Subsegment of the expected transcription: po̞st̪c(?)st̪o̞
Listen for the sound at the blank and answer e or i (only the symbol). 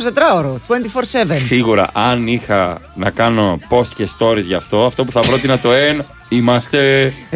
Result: e